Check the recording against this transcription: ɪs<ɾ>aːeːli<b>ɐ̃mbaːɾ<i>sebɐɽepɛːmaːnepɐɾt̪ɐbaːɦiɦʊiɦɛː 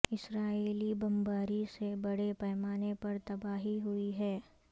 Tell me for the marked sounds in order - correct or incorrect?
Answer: correct, correct, correct

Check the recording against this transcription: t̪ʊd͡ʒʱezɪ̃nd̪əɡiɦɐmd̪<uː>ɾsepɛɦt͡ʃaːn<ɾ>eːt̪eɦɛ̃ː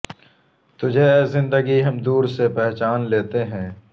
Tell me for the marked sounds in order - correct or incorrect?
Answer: correct, incorrect: l

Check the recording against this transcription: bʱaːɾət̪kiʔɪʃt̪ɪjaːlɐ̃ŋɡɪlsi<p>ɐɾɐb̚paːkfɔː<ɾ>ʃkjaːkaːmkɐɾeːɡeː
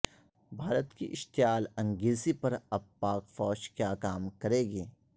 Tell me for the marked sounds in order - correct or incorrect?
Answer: correct, incorrect: none

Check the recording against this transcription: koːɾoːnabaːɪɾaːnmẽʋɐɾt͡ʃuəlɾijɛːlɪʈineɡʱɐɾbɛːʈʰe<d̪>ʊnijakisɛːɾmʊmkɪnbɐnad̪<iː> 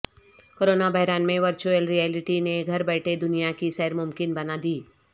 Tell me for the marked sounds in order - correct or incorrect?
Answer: correct, correct

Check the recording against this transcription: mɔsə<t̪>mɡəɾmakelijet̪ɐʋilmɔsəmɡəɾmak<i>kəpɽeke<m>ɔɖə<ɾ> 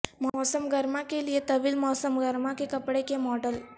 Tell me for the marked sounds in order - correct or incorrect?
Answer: incorrect: none, incorrect: e, correct, incorrect: l

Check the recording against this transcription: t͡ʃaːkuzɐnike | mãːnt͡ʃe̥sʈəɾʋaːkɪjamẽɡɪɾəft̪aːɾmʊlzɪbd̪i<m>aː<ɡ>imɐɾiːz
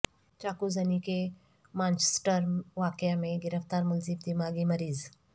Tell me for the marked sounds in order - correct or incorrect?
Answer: correct, correct

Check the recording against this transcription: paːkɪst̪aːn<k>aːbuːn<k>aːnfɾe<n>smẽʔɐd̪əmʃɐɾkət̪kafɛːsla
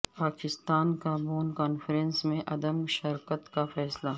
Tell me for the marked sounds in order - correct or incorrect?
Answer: correct, correct, correct

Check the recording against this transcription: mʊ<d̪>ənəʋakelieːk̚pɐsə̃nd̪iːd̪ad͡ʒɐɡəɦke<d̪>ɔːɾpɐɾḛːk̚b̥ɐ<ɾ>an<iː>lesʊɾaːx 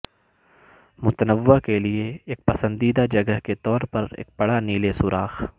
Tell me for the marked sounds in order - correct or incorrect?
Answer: incorrect: t̪, incorrect: t̪, incorrect: ɽ, correct

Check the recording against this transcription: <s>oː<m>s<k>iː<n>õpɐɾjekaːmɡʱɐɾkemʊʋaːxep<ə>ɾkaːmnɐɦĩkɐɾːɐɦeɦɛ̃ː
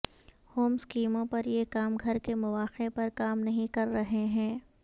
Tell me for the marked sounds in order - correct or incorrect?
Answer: incorrect: h, correct, correct, incorrect: m, incorrect: ɐ

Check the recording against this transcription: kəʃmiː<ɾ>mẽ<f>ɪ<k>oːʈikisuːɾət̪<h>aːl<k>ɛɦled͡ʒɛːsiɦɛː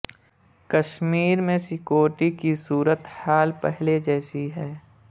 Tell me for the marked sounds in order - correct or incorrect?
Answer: correct, incorrect: s, correct, correct, incorrect: p

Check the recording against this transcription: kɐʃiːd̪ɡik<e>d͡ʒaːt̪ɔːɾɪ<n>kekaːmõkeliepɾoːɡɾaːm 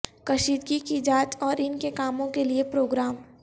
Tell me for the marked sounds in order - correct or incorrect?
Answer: incorrect: i, correct

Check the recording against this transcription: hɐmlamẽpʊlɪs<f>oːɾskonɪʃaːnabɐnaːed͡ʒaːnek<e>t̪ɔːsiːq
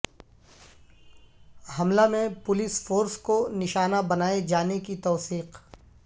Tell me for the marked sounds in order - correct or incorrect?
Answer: correct, incorrect: i

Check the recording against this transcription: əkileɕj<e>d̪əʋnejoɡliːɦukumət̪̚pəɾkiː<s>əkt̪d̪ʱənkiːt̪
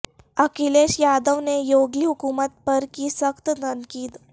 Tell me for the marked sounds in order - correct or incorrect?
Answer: incorrect: a, correct

